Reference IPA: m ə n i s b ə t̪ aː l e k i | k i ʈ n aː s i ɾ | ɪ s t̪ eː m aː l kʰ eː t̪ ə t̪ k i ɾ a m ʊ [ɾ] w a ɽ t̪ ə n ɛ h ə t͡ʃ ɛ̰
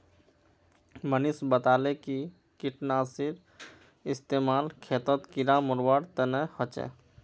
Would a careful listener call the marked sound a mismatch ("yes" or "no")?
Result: no